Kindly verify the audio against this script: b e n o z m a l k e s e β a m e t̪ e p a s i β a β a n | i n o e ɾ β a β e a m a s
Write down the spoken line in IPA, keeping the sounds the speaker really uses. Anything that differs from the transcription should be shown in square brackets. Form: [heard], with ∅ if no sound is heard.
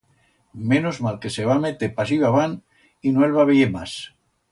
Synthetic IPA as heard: [m] e n o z m a l k e s e β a m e t̪ e p a s i β a β a n | i n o e [l] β a β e [e] m a s

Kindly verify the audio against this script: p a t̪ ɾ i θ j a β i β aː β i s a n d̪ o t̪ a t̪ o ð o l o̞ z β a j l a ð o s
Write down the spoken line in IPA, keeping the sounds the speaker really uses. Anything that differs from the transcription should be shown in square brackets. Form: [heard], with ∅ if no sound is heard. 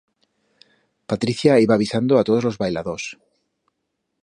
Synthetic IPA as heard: p a t̪ ɾ i θ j a [∅] i β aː β i s a n d̪ o [∅] a t̪ o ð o l o̞ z β a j l a ð o s

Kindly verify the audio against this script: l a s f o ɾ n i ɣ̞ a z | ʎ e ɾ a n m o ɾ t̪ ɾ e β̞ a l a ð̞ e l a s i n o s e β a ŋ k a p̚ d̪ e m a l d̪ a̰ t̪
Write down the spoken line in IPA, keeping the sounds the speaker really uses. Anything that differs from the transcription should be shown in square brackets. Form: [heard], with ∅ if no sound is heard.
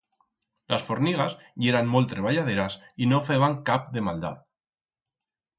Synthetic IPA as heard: l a s f o ɾ n i ɣ̞ a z | ʎ e ɾ a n m o [l] t̪ ɾ e β̞ a [ʎ] a ð̞ e [ɾ] a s i n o [f] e β a ŋ k a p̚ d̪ e m a l d̪ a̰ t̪

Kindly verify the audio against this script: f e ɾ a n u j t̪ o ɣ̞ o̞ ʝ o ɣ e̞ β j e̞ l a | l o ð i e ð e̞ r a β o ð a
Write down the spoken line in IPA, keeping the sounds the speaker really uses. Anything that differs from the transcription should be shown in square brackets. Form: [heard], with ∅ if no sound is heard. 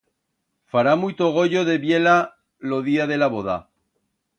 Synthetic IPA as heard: f [a] ɾ a [m] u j t̪ o ɣ̞ o̞ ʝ o [ð] e̞ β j e̞ l a | l o ð i [a] ð e̞ [l] a β o ð a

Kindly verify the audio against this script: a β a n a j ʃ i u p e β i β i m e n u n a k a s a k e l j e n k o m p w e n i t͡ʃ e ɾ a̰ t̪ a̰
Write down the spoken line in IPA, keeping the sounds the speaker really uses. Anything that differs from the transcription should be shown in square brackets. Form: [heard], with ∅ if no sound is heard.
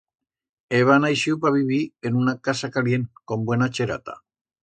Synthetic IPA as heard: [e] β a n a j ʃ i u p [a] β i β i [∅] e n u n a k a s a k [a] l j e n k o m [b] w e n [a] t͡ʃ e ɾ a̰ t̪ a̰

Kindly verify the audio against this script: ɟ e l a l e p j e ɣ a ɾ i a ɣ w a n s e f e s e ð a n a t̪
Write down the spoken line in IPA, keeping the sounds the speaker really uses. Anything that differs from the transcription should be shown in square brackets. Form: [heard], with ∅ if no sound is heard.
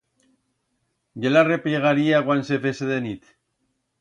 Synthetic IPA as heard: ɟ e l a [r] e p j e ɣ a ɾ i a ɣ w a n s e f e s e ð [e] n [i] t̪

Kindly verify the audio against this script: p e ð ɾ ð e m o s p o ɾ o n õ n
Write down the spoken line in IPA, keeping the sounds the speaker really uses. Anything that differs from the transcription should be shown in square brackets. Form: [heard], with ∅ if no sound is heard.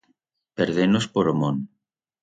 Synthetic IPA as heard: p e [∅] ɾ ð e [n] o s p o ɾ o [m] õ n

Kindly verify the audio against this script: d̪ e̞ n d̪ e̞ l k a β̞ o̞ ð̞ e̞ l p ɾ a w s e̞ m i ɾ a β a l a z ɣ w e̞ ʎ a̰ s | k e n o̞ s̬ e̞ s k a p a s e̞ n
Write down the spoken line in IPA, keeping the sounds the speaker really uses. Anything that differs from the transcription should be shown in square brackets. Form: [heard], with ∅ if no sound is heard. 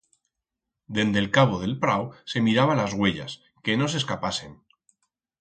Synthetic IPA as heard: d̪ e̞ n d̪ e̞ l k a β̞ o̞ ð̞ e̞ l p ɾ a w s e̞ m i ɾ a β a l a z ɣ w e̞ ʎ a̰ s | k e n o̞ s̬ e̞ s k a p a s e̞ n

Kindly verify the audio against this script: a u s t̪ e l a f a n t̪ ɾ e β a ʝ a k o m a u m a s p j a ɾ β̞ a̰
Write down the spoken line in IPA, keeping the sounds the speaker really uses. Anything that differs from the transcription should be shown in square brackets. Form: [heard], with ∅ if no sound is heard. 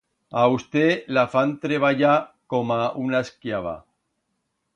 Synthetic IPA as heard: a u s t̪ e l a f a n t̪ ɾ e β a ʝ a k o m a u [n] a s [k] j a [∅] β̞ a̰

